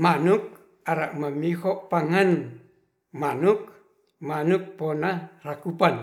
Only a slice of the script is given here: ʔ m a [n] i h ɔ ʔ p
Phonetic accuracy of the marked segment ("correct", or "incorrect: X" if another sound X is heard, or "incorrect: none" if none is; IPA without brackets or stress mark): incorrect: m